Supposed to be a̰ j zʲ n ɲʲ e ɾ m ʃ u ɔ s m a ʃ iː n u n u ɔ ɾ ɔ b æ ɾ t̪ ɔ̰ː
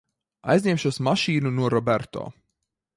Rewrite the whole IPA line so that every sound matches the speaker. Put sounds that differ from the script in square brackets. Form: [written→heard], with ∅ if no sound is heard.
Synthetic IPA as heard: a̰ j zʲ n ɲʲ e [ɾ→∅] m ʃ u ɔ s m a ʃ iː n u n u ɔ ɾ ɔ b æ ɾ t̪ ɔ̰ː